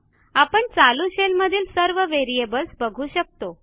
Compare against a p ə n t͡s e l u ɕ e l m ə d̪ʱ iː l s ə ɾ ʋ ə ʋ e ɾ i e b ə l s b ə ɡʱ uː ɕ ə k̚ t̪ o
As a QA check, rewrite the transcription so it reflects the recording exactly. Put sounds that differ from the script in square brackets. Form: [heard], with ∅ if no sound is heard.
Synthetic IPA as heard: a p ə [ɳ] t͡s [a] l u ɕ e l m ə d̪ʱ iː l s ə ɾ ʋ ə ʋ e ɾ i e b ə l s b ə ɡʱ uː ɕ ə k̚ t̪ o